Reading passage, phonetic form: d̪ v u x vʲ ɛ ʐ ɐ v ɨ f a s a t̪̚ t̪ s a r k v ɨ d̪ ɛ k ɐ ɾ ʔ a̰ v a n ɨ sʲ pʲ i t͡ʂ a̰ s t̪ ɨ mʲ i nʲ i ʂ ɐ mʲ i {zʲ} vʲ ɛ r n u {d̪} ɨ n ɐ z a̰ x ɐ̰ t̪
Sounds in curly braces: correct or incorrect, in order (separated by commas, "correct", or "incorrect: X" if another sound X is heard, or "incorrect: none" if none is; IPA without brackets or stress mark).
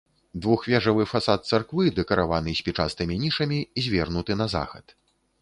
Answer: correct, incorrect: t̪